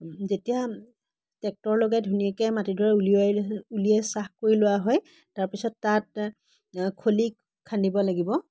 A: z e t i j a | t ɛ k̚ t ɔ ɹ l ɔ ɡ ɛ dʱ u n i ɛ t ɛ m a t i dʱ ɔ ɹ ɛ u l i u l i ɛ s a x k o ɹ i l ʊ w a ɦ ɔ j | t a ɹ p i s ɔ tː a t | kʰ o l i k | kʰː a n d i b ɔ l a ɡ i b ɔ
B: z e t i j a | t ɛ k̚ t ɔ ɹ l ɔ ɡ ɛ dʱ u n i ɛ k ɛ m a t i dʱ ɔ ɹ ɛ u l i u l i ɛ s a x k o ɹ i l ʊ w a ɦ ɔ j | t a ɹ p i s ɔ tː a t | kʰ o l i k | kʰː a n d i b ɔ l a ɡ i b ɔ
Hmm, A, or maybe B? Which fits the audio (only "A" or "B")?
B